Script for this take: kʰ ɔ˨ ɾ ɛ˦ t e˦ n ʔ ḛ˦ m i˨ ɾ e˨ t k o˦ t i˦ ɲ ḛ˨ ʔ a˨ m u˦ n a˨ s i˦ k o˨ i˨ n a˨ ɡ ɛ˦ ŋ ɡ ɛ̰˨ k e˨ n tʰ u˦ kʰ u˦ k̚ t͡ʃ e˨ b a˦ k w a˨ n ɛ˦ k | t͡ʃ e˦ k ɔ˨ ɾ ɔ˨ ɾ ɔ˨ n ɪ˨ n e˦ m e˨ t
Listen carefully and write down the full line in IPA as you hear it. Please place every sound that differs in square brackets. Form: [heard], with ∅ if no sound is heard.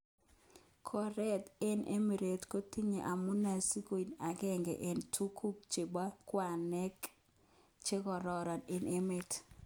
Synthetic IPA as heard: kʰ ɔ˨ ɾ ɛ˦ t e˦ n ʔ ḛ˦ m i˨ ɾ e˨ t k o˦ t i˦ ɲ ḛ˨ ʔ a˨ m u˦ n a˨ s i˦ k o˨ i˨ n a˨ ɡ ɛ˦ ŋ ɡ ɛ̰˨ [ʔ] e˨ n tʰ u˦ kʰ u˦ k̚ t͡ʃ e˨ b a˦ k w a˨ n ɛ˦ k | t͡ʃ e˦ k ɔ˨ ɾ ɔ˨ ɾ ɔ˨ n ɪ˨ n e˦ m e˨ t

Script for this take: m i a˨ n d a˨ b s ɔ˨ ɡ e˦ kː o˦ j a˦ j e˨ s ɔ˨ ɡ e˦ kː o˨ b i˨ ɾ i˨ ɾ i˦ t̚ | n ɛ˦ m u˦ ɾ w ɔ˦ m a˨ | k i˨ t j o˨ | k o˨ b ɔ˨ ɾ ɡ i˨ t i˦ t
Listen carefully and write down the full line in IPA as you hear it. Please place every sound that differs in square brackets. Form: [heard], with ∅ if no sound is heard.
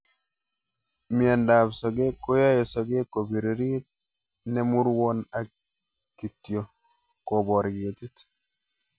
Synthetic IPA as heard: m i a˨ n d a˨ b s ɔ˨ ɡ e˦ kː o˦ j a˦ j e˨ s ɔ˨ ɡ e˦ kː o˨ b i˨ ɾ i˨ ɾ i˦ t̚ | n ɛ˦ m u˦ ɾ w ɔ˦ [n] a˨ | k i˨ t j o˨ | k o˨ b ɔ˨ ɾ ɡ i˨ t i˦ t

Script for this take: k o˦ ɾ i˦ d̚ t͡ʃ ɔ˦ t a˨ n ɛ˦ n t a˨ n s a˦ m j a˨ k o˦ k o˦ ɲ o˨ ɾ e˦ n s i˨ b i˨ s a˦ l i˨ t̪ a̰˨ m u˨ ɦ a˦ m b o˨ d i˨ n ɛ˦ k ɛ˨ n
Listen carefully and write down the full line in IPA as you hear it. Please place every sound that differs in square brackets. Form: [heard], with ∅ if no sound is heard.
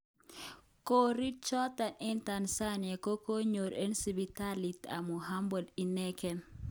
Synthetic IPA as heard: k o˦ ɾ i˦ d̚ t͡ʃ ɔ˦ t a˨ n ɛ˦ n t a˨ n s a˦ [n] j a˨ k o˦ k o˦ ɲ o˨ ɾ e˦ n s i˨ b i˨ [t] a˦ l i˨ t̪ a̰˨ m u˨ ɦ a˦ m b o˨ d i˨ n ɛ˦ k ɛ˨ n

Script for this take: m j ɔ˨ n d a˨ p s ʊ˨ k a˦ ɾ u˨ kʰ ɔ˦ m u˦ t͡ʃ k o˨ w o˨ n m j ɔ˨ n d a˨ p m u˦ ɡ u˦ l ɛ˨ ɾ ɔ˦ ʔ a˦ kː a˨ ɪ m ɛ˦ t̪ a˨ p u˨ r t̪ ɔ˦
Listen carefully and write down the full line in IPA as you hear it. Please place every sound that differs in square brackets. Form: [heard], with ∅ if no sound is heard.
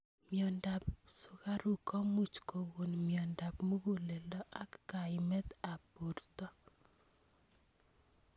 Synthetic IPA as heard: m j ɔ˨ n d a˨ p s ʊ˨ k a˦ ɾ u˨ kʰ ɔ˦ m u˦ t͡ʃ k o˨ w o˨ n m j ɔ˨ n d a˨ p m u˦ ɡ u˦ l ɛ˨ [l] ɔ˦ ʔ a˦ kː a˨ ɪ m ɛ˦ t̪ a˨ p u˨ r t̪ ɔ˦

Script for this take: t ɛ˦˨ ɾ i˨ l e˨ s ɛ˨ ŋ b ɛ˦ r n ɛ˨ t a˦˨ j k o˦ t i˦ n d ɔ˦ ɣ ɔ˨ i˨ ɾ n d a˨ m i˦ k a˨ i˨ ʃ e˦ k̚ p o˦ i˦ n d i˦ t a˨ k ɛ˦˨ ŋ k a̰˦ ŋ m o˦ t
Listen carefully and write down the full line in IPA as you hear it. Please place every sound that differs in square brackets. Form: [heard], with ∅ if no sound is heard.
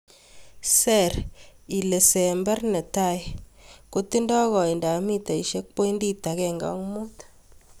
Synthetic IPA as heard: [s] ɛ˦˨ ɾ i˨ l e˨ s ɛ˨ [m] b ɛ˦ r n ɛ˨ t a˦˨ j k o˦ t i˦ n d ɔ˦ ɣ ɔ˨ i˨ [∅] n d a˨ m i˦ [t] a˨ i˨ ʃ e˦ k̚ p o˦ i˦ n d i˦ t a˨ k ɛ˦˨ ŋ [ɡ] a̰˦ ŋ m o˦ t

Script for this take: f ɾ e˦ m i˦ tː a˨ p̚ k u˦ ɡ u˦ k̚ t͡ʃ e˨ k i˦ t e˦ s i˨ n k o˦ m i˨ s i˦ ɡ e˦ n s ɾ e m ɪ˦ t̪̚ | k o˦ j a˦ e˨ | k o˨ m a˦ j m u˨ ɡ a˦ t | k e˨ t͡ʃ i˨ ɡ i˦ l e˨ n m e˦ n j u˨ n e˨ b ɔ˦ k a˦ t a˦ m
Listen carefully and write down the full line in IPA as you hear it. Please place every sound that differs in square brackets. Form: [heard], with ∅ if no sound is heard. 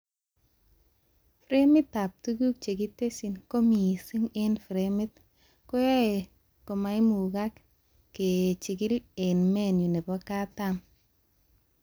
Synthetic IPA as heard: f ɾ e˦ m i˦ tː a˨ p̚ [t] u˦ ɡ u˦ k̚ t͡ʃ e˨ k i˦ t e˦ s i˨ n k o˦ m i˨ s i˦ [ŋ] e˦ n [f] ɾ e m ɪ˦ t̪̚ | k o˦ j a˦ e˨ | k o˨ m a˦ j m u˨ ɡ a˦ [k] | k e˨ t͡ʃ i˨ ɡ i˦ l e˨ n m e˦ n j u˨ n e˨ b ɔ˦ k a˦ t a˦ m

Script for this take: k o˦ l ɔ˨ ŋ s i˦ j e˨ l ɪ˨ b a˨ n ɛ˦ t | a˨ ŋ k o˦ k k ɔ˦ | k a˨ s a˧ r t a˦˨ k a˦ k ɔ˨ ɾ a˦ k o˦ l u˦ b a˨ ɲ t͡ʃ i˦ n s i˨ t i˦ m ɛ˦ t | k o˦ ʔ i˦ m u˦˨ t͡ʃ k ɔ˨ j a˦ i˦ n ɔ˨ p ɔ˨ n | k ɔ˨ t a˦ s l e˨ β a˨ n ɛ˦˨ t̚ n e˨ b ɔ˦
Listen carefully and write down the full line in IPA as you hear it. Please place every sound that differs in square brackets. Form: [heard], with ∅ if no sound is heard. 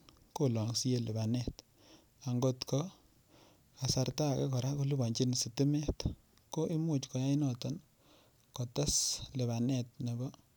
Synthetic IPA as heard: k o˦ l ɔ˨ ŋ s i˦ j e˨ l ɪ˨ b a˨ n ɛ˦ t | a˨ ŋ [ɡ] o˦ [t] k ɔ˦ | k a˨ s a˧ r t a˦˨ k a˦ k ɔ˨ ɾ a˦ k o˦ l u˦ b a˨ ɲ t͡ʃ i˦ n s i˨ t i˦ m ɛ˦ t | k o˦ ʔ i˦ m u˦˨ t͡ʃ k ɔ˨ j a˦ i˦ n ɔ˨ [t] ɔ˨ n | k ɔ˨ t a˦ s l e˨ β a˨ n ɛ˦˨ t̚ n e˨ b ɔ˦

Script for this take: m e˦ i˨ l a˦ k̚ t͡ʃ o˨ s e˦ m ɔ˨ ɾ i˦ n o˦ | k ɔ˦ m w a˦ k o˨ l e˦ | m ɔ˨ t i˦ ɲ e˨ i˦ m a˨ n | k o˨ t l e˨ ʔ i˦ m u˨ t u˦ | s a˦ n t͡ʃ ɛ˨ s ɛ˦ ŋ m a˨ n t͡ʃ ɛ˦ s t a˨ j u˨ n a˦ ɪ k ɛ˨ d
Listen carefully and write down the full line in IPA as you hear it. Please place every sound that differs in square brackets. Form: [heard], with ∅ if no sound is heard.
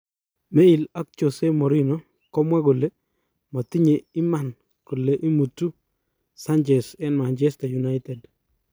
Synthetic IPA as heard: m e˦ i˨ l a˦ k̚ t͡ʃ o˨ s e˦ m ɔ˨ ɾ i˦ n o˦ | k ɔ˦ m w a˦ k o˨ l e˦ | m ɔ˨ t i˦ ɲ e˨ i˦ m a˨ n | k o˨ [∅] l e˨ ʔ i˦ m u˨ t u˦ | s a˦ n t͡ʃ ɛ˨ s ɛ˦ [n] m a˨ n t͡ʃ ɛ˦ s t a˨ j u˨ n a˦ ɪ [t] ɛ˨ d

